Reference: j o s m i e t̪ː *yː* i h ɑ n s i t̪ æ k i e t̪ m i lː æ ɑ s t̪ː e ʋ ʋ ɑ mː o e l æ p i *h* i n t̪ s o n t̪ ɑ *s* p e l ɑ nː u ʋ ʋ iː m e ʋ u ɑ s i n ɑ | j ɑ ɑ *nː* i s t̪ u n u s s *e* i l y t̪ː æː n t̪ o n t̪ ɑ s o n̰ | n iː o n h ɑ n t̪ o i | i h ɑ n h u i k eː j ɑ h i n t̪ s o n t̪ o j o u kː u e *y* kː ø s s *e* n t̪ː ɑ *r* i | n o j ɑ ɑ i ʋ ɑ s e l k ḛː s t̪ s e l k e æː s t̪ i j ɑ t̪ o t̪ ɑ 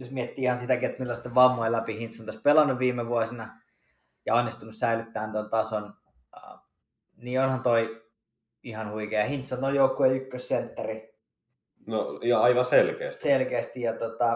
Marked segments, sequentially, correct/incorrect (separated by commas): incorrect, correct, correct, correct, incorrect, correct, correct, correct